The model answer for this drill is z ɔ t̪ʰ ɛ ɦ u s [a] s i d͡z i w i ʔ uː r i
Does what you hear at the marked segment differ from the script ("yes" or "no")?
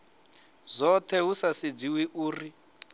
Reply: no